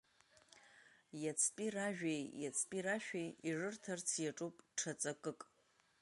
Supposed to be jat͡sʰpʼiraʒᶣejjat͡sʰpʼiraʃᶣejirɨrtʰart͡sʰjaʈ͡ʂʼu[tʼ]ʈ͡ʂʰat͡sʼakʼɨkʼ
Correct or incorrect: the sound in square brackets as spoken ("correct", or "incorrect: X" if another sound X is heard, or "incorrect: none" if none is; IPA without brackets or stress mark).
incorrect: pʼ